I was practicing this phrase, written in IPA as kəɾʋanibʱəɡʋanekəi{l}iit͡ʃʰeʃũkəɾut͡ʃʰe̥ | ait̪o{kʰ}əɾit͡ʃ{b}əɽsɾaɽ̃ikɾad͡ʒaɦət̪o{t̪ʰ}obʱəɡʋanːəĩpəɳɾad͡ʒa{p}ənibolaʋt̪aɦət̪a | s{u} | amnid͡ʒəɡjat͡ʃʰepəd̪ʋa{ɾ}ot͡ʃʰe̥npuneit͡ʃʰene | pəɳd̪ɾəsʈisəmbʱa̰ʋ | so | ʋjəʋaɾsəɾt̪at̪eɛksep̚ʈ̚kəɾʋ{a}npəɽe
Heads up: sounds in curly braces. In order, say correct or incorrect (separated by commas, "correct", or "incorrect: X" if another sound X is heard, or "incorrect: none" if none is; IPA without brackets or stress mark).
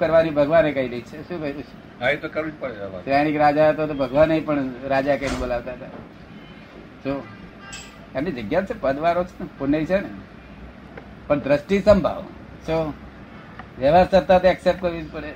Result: correct, incorrect: k, incorrect: p, incorrect: t̪, incorrect: k, incorrect: o, correct, incorrect: i